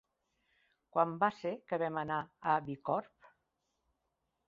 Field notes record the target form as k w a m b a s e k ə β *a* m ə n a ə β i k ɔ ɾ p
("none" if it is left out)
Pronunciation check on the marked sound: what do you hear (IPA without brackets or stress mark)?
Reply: ɛ